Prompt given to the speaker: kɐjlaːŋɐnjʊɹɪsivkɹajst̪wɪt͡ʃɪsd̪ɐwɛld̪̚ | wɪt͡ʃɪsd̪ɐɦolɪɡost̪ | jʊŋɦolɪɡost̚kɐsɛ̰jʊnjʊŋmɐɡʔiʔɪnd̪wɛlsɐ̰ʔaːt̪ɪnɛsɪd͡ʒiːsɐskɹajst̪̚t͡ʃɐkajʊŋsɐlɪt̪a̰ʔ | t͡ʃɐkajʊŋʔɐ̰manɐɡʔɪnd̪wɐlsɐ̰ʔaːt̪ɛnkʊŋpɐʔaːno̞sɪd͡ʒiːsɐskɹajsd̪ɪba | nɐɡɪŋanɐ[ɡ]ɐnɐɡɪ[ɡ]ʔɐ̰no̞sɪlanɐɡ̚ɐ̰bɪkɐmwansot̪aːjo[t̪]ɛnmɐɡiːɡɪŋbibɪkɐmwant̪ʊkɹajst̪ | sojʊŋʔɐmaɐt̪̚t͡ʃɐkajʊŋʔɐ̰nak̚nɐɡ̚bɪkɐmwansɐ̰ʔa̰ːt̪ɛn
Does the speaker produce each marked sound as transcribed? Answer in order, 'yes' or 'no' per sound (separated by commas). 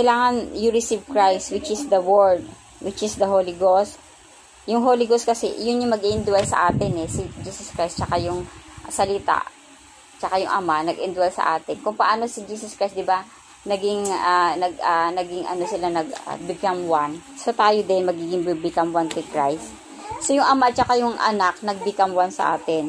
yes, no, no